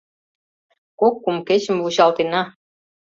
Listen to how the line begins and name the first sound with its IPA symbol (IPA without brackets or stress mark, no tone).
k